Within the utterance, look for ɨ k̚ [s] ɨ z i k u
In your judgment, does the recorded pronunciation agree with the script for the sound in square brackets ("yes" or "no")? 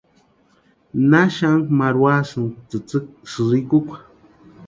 yes